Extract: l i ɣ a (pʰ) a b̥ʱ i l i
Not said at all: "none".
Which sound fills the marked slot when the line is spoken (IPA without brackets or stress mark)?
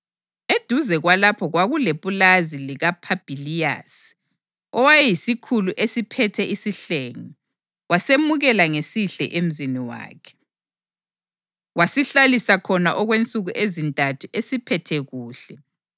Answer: pʰ